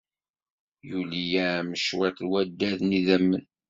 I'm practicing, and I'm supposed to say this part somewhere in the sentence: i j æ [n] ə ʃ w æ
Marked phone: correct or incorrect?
incorrect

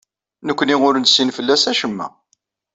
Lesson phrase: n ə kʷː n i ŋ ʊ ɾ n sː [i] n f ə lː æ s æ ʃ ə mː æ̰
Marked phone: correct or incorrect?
correct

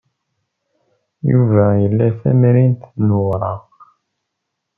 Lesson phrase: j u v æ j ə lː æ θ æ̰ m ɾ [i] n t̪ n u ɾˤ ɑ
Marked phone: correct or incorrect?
correct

